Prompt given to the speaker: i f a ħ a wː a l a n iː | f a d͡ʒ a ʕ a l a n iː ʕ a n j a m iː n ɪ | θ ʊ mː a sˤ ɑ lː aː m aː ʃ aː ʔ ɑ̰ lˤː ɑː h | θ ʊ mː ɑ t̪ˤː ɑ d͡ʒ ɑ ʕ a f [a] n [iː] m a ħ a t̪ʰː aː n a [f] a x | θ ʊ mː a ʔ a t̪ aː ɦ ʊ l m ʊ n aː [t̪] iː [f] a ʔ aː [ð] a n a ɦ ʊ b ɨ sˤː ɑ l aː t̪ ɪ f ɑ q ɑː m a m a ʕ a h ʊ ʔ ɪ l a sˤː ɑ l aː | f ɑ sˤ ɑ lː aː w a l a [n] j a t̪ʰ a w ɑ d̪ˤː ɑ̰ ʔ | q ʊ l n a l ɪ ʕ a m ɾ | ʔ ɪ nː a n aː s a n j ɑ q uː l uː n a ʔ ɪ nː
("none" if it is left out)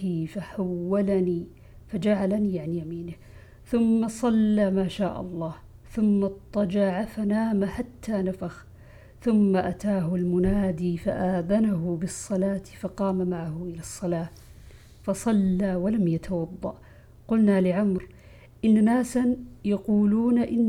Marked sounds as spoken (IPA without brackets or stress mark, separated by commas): a, aː, f, d̪, f, ð, m